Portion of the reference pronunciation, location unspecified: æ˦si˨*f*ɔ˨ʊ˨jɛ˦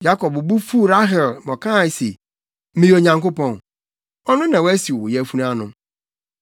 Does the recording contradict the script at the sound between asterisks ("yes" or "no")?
yes